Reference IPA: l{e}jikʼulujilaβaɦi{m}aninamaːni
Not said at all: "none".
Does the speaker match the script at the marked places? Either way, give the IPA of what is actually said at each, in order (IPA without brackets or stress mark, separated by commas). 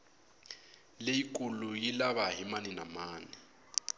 e, m